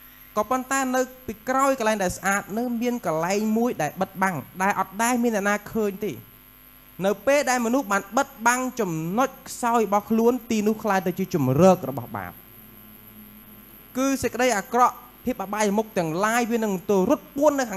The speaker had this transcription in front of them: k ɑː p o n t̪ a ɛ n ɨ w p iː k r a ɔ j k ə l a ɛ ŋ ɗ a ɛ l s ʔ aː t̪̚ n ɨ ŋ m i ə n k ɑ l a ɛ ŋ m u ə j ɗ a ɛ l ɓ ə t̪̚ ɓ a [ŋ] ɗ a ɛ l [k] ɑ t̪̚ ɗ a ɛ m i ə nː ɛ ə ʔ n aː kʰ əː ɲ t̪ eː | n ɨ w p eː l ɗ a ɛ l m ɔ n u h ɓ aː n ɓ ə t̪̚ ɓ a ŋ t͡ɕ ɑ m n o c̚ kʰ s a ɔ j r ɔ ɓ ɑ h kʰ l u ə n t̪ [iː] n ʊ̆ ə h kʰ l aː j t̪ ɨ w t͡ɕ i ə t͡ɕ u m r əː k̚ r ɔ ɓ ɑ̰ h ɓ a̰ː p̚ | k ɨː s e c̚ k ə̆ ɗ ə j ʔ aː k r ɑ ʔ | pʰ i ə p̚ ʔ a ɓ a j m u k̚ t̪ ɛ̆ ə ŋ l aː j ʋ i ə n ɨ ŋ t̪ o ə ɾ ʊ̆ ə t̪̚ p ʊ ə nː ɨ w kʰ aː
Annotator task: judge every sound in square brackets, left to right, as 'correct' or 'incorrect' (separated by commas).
correct, incorrect, correct